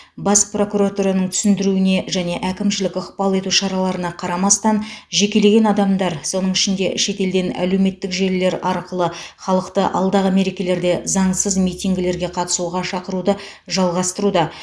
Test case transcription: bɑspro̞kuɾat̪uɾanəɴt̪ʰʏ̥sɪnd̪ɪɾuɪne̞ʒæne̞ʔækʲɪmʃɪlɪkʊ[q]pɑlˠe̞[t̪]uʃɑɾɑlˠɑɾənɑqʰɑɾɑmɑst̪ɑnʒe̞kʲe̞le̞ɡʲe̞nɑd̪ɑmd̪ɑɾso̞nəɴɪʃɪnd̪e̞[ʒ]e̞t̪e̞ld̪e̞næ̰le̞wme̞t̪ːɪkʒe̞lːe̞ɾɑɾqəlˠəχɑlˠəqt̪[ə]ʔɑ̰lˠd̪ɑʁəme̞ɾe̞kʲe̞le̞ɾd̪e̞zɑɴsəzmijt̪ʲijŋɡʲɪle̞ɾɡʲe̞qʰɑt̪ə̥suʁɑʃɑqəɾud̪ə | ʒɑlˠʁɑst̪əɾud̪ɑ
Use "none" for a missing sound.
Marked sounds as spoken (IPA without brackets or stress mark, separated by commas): q, t̪, ʃ, ə